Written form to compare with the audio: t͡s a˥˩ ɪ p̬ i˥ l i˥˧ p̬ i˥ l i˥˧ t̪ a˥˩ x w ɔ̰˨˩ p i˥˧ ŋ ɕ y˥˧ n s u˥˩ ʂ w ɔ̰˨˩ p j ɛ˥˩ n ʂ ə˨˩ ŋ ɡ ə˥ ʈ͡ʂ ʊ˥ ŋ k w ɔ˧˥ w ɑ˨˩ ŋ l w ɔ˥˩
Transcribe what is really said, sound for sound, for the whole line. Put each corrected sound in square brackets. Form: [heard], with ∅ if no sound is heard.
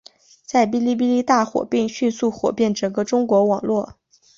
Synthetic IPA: t͡s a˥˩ ɪ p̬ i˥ l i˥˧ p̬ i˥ l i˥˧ t̪ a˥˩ x w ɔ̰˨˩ p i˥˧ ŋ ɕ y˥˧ n s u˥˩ [x] w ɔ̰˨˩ p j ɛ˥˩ n [ʈ͡ʂ] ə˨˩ ŋ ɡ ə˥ ʈ͡ʂ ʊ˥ ŋ k w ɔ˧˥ w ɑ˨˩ ŋ l w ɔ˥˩

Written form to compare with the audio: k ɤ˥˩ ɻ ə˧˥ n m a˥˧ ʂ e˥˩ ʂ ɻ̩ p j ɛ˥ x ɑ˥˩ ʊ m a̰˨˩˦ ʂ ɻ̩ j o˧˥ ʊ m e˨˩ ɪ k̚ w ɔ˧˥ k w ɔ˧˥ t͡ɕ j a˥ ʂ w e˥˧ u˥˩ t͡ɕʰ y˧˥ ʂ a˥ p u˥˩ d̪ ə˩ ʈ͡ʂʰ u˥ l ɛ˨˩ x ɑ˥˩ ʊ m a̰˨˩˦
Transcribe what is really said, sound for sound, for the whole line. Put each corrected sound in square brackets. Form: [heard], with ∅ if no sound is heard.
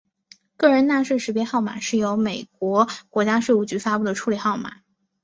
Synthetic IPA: k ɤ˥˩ ɻ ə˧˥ n [n] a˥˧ ʂ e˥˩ ʂ ɻ̩ p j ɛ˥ x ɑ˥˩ ʊ m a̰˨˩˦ ʂ ɻ̩ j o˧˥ ʊ m e˨˩ ɪ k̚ w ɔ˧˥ k w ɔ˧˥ t͡ɕ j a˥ ʂ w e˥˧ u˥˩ [t͡ɕ] y˧˥ [f] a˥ p u˥˩ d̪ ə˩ ʈ͡ʂʰ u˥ l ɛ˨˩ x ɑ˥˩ ʊ m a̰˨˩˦

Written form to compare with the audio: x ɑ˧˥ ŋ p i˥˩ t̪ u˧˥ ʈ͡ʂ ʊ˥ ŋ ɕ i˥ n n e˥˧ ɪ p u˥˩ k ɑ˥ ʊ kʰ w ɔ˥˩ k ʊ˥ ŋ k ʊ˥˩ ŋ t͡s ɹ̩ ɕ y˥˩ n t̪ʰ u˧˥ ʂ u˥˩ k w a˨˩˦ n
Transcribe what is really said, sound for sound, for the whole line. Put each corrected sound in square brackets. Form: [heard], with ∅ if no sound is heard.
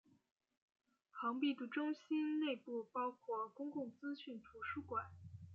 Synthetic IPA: x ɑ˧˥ ŋ p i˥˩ t̪ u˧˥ ʈ͡ʂ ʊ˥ ŋ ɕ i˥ n n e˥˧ ɪ p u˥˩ [p] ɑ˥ ʊ kʰ w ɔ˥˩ k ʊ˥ ŋ k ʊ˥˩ ŋ t͡s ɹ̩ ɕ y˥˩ n t̪ʰ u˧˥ ʂ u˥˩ k w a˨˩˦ n

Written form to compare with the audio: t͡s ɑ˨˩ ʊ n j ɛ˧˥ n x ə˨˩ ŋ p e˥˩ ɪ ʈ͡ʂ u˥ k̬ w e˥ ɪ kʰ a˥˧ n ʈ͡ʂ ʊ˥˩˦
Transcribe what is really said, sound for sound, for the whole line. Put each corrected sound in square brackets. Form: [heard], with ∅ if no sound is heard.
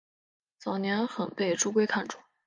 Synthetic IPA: t͡s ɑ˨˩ ʊ n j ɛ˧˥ n x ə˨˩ [n] p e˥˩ ɪ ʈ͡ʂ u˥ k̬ w e˥ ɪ kʰ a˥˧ n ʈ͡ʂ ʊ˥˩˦

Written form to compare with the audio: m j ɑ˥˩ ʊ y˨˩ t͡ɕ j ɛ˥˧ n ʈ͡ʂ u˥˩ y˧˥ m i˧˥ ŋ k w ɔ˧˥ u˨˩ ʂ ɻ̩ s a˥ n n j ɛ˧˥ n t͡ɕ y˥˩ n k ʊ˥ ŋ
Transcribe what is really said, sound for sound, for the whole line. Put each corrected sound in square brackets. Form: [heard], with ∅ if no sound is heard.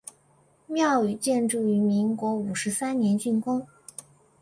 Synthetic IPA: m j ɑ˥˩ ʊ y˨˩ t͡ɕ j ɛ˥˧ n ʈ͡ʂ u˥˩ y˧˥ m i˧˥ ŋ k w ɔ˧˥ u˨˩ ʂ ɻ̩ s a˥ n n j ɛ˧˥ n t͡ɕ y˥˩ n k ʊ˥ ŋ

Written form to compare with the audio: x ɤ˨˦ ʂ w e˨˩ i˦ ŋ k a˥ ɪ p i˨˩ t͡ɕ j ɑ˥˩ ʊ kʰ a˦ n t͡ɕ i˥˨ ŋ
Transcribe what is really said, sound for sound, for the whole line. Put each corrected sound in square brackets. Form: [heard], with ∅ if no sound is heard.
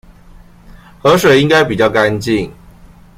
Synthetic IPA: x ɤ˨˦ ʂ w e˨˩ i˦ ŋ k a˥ ɪ p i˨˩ t͡ɕ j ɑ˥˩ ʊ [k] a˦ n t͡ɕ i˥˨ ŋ

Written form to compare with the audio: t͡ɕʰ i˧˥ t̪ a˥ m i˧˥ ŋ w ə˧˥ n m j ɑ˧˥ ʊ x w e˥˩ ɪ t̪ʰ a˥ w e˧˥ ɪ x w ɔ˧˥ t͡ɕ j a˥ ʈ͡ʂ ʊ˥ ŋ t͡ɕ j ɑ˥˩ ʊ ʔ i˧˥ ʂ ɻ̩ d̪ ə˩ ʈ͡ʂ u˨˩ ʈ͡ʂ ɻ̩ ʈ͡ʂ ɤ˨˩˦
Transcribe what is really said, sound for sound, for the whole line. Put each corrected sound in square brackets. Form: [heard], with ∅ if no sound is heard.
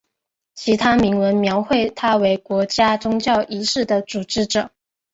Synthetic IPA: t͡ɕʰ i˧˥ [t̪ʰ] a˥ m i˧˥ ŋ w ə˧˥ n m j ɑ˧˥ ʊ x w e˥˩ ɪ t̪ʰ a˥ w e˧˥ ɪ [k] w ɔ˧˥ t͡ɕ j a˥ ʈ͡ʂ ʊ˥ ŋ t͡ɕ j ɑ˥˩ ʊ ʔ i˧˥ ʂ ɻ̩ d̪ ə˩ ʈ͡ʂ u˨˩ ʈ͡ʂ ɻ̩ ʈ͡ʂ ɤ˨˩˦

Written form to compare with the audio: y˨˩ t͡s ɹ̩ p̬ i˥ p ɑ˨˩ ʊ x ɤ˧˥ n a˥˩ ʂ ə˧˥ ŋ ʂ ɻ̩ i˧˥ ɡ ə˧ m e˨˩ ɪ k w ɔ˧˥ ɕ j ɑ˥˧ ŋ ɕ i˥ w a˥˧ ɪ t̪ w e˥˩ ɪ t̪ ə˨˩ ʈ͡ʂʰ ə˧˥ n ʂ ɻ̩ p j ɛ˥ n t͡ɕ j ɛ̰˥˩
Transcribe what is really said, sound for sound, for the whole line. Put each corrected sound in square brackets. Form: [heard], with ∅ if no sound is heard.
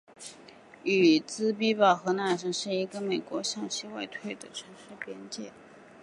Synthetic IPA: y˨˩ t͡s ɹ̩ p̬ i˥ p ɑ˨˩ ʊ x ɤ˧˥ n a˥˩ ʂ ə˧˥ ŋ ʂ ɻ̩ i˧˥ ɡ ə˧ m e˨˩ ɪ k w ɔ˧˥ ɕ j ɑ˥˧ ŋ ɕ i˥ w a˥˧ ɪ [t̪ʰ] w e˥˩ ɪ [d̪] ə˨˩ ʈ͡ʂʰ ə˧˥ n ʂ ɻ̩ p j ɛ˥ n t͡ɕ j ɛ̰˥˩

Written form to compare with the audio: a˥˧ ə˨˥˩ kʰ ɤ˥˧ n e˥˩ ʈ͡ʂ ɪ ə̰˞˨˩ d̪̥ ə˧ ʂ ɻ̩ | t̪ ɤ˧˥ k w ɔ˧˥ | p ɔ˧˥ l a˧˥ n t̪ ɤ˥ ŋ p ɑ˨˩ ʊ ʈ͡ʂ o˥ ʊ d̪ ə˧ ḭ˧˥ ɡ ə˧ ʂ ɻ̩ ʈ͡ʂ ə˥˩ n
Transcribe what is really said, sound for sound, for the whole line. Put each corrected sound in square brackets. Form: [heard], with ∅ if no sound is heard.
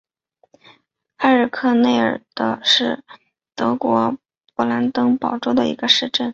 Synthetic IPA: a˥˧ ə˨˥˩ kʰ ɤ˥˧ n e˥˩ [∅] ɪ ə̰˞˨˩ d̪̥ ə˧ ʂ ɻ̩ | t̪ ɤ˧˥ k w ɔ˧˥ | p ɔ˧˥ l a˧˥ n t̪ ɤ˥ ŋ p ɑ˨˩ ʊ ʈ͡ʂ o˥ ʊ d̪ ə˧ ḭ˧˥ ɡ ə˧ ʂ ɻ̩ ʈ͡ʂ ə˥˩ n

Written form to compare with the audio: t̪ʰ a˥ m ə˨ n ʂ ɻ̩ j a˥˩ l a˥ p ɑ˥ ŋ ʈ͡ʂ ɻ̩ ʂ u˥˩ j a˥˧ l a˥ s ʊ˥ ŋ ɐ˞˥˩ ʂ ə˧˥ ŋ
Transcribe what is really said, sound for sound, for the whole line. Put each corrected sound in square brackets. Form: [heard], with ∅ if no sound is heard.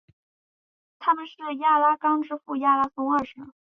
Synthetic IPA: t̪ʰ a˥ m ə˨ n ʂ ɻ̩ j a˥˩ l a˥ [k] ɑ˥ ŋ ʈ͡ʂ ɻ̩ [f] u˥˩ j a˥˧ l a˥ s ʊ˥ ŋ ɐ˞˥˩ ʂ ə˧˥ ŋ

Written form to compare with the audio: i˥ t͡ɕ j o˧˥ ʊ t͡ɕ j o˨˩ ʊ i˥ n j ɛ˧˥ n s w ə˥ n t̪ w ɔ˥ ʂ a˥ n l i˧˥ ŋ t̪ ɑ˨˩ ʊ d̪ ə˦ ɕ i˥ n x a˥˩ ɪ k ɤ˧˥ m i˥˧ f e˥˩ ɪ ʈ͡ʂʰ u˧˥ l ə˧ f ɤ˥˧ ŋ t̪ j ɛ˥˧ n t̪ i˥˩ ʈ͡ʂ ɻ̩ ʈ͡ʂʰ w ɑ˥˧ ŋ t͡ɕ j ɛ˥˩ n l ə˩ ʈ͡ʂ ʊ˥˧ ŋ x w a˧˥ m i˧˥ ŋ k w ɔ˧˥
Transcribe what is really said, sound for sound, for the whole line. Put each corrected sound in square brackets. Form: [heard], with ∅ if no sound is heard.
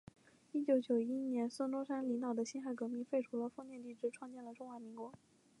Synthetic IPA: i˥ t͡ɕ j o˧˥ ʊ t͡ɕ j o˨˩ ʊ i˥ n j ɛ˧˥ n s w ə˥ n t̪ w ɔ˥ ʂ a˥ n l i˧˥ ŋ t̪ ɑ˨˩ ʊ d̪ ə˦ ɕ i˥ n x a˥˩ ɪ k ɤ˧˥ m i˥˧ f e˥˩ ɪ ʈ͡ʂʰ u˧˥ l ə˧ f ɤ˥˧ ŋ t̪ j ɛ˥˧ n t̪ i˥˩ ʈ͡ʂ ɻ̩ ʈ͡ʂʰ w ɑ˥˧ ŋ t͡ɕ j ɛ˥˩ n l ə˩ ʈ͡ʂ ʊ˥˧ ŋ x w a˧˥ m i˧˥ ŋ k w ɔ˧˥

